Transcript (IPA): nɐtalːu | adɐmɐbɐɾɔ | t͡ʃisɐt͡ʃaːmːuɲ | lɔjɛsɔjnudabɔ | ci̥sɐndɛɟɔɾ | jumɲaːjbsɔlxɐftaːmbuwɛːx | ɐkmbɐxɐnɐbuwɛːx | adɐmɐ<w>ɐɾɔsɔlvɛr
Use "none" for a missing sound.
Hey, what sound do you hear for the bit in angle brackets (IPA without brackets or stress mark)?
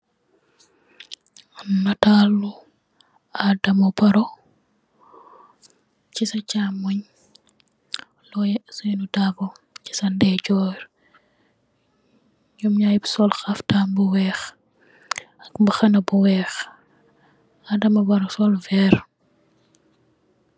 b